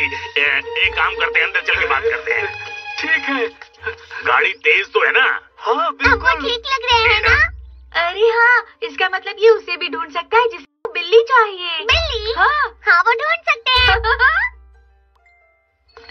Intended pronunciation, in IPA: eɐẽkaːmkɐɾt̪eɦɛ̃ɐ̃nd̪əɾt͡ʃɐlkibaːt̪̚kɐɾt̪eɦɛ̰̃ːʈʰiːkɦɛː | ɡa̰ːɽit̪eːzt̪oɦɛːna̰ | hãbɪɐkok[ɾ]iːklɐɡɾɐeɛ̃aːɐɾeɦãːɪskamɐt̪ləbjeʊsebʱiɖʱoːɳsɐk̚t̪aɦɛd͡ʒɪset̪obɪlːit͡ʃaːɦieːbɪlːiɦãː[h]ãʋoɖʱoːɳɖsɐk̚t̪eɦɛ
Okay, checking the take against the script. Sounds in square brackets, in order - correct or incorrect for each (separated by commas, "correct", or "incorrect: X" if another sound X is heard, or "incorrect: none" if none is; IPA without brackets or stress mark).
incorrect: l, correct